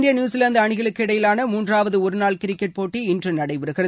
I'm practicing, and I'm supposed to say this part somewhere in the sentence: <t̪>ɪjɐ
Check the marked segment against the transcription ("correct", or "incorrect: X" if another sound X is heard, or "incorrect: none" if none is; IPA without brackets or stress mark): incorrect: d̪